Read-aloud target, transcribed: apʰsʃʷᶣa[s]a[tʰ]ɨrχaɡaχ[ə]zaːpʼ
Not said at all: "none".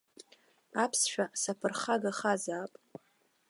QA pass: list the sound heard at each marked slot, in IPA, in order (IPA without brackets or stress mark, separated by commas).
s, pʰ, a